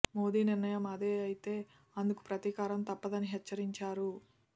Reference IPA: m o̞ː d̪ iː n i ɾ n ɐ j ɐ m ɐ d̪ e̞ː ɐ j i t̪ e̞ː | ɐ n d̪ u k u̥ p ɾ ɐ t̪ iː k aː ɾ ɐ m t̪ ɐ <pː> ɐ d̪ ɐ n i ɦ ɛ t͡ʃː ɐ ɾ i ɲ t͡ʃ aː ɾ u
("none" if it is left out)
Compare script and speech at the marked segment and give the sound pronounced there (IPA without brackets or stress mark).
pː